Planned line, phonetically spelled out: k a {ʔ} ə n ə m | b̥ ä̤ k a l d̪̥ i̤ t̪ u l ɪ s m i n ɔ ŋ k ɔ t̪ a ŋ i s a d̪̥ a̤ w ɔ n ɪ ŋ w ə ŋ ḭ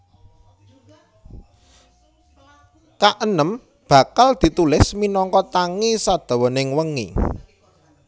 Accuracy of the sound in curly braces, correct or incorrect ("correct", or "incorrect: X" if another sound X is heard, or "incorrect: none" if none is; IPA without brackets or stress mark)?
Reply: correct